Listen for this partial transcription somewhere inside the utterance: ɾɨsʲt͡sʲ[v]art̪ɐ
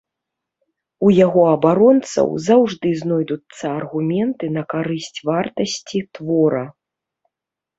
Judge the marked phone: correct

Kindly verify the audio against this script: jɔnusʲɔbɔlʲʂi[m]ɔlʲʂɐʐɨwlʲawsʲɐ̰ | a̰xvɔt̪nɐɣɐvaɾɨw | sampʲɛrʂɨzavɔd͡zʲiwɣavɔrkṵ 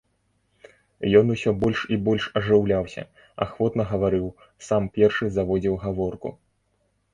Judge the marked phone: incorrect: b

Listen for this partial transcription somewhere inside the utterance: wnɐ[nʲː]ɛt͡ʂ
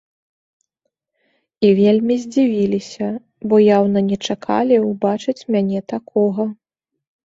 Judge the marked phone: incorrect: nʲ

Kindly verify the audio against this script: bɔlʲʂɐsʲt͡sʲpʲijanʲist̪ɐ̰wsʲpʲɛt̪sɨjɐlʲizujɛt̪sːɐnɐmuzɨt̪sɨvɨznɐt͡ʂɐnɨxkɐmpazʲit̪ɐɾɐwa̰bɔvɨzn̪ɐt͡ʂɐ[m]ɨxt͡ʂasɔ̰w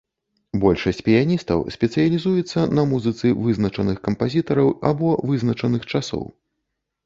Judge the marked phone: incorrect: n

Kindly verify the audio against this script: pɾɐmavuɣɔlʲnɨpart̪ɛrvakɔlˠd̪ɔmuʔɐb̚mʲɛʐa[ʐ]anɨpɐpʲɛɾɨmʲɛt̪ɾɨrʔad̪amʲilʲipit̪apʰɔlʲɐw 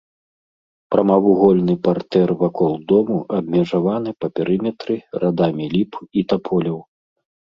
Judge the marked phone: incorrect: v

